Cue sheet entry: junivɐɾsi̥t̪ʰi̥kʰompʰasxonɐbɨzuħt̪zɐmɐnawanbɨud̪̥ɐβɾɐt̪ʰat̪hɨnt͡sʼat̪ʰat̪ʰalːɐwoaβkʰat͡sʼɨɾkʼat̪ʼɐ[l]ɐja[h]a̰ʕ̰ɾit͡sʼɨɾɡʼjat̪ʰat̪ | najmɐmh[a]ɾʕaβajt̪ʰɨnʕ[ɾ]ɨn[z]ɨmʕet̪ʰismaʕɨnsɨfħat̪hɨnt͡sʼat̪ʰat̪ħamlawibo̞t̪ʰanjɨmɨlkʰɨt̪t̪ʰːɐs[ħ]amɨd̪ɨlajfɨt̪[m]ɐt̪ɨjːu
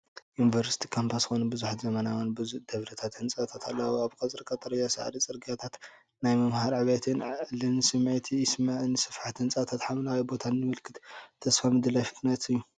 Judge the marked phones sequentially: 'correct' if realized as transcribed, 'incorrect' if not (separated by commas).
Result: incorrect, incorrect, correct, incorrect, incorrect, incorrect, incorrect